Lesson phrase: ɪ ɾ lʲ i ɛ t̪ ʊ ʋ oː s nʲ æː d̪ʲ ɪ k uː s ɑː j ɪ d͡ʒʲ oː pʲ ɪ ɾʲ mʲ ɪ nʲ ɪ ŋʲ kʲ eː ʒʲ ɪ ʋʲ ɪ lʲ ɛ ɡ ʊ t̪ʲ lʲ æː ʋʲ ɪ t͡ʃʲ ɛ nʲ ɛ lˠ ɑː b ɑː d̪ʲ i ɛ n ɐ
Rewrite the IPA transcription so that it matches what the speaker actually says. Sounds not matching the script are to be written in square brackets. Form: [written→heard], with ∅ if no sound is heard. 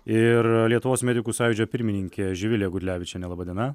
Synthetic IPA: ɪ ɾ lʲ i ɛ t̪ ʊ ʋ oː s [nʲ→mʲ] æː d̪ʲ ɪ k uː s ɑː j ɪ d͡ʒʲ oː pʲ ɪ ɾʲ mʲ ɪ nʲ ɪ ŋʲ kʲ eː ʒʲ ɪ ʋʲ ɪ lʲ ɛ ɡ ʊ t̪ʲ lʲ æː ʋʲ ɪ t͡ʃʲ ɛ nʲ ɛ lˠ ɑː b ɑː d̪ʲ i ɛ n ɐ